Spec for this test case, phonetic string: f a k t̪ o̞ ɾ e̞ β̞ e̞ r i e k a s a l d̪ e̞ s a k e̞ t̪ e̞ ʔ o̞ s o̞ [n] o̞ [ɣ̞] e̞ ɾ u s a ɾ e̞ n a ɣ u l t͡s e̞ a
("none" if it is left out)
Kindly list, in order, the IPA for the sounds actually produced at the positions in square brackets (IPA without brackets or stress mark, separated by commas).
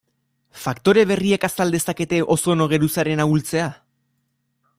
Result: n, ɣ̞